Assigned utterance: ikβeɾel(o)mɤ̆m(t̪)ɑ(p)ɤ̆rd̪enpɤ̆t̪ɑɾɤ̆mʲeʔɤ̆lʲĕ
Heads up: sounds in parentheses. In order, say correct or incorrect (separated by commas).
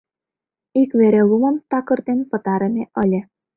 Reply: incorrect, correct, incorrect